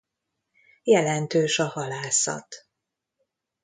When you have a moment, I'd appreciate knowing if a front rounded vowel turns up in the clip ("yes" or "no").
yes